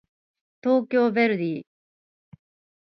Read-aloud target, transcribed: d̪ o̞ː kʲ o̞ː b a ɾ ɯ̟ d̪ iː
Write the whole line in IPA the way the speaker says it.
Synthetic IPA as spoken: t̪ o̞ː kʲ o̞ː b e ɾ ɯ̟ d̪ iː